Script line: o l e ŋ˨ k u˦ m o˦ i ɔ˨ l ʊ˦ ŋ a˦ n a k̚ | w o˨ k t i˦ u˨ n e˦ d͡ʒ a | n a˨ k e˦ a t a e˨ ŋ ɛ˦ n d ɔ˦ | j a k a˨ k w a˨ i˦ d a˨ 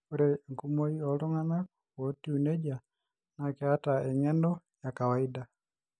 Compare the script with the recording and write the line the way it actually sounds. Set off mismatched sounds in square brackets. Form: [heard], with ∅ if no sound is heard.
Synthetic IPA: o [ɾ] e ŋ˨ k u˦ m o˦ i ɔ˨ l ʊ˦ ŋ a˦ n a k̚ | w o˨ [∅] t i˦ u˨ n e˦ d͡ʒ a | n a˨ k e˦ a t a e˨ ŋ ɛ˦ n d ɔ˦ | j a k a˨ [∅] w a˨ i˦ d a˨